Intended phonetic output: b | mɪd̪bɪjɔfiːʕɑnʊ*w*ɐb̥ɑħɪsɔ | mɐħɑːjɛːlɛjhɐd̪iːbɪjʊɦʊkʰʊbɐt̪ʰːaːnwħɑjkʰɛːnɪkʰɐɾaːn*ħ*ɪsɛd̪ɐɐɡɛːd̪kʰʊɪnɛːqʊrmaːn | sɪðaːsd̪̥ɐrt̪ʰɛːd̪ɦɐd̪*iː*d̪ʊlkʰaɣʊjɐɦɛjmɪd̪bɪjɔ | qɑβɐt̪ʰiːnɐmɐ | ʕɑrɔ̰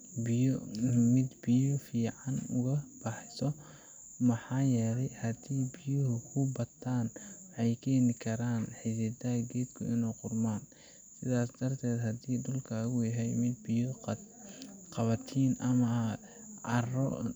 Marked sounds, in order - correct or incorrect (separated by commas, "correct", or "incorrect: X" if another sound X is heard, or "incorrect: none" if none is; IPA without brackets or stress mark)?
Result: incorrect: ɣ, correct, correct